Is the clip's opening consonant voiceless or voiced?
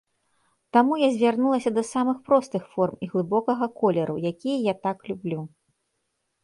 voiceless